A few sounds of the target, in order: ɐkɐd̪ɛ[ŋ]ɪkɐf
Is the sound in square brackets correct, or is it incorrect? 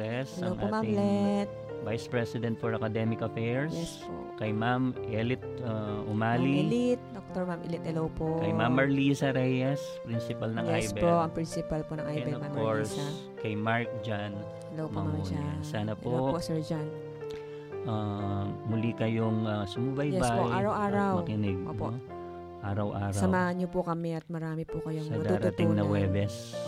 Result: incorrect